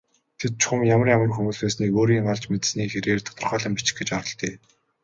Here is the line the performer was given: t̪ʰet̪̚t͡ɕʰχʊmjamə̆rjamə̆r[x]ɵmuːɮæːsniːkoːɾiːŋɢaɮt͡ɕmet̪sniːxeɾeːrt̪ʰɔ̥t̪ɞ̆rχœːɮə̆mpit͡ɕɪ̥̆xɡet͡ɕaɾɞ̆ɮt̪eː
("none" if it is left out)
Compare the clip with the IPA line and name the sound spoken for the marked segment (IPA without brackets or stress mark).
x